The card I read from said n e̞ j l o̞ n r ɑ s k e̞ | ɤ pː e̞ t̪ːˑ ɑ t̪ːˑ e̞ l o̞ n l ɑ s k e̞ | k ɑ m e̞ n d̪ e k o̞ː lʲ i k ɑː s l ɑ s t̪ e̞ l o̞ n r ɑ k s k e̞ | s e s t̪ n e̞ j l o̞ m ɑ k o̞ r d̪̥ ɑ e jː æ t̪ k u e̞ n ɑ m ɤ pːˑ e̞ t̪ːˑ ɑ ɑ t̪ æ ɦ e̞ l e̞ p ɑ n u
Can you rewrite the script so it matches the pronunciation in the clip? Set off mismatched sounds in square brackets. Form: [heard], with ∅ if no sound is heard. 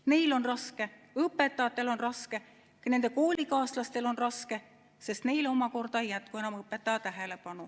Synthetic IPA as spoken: n e̞ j l o̞ n r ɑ s k e̞ | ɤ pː e̞ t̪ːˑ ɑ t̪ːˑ e̞ l o̞ n [r] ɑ s k e̞ | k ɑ [n] e̞ n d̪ e k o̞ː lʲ i k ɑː s l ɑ s t̪ e̞ l o̞ n r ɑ [∅] s k e̞ | s e s t̪ n e̞ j l o̞ m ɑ k o̞ r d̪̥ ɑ e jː æ t̪ k u e̞ n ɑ m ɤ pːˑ e̞ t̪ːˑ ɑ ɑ t̪ æ ɦ e̞ l e̞ p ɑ n u